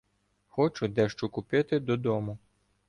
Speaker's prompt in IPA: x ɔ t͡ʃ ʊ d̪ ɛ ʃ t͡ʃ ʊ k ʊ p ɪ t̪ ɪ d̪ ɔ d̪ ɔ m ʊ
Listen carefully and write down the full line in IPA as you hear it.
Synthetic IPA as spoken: x ɔ t͡ʃ ʊ d̪ ɛ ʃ t͡ʃ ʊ k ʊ p ɪ t̪ ɪ d̪ ɔ d̪ ɔ m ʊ